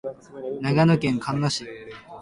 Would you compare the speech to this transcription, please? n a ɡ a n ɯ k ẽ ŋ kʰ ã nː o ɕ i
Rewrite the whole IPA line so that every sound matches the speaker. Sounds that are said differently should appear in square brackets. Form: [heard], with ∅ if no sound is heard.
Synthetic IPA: n a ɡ a n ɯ k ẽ ŋ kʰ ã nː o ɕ i